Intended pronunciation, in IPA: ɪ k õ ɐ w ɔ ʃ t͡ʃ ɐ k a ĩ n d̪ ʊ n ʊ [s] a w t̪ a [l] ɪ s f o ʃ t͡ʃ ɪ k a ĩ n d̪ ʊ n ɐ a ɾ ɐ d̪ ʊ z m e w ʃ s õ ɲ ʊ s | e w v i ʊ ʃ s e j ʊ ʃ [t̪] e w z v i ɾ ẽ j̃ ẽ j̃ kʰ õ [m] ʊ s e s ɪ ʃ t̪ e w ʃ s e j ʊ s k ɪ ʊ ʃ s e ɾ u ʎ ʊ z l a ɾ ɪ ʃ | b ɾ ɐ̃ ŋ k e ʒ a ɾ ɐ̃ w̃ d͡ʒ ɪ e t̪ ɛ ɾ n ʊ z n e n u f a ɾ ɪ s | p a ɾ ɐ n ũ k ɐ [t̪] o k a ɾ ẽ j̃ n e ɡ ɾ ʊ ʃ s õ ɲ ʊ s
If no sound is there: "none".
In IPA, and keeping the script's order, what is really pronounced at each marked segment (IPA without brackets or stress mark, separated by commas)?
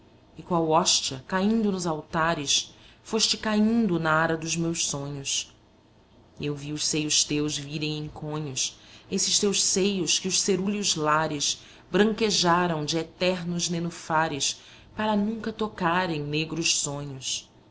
z, ɾ, t̪, ɲ, t̪